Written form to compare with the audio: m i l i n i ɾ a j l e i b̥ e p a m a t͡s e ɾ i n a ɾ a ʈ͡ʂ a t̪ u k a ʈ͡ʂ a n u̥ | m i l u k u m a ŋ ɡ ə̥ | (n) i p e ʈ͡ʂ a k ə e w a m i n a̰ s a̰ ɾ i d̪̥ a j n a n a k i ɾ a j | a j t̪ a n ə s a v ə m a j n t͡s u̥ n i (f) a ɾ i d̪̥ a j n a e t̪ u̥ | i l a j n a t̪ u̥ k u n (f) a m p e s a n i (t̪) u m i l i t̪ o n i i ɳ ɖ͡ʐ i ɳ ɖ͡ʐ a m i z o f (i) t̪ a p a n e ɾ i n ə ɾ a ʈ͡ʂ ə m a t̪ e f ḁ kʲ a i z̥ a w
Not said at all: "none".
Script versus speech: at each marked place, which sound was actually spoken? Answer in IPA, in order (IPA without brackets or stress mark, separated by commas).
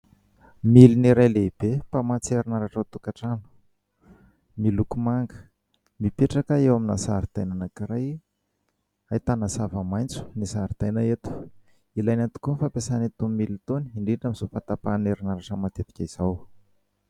m, s, f, t̪, a